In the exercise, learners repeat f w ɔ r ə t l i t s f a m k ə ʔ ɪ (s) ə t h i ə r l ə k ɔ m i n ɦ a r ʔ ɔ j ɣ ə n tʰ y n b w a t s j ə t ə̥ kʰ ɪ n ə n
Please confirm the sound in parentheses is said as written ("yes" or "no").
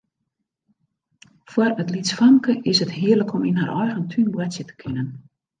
yes